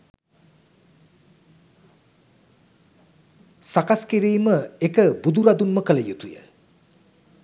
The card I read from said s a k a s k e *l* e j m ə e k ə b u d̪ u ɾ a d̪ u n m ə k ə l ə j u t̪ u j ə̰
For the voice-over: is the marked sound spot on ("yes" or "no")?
no